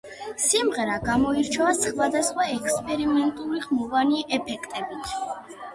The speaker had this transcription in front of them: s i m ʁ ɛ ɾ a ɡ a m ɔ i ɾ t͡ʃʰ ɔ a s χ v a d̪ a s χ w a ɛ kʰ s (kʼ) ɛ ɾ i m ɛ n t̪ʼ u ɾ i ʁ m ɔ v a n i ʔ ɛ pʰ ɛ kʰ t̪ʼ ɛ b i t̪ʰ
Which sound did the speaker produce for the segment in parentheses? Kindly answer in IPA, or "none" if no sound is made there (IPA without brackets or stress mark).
pʼ